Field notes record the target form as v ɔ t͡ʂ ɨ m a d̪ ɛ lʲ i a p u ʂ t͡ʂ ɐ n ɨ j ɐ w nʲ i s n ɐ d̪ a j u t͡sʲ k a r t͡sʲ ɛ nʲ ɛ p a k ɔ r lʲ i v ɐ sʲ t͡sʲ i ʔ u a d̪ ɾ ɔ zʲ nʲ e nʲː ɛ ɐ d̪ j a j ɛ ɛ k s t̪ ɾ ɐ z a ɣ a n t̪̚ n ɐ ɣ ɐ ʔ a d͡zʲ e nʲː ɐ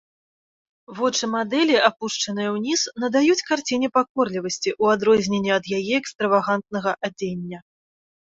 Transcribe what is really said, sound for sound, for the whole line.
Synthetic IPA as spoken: v ɔ t͡ʂ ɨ m a d̪ ɛ lʲ i a p u ʂ t͡ʂ ɐ n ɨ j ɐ w nʲ i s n ɐ d̪ a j u t͡sʲ k a r t͡sʲ i nʲ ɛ p a k ɔ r lʲ i v ɐ sʲ t͡sʲ i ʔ u a d̪ ɾ ɔ zʲ nʲ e nʲː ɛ ɐ d̪ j a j ɛ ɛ k s t̪ ɾ ɐ v a ɣ a n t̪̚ n ɐ ɣ ɐ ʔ a d͡zʲ e nʲː ɐ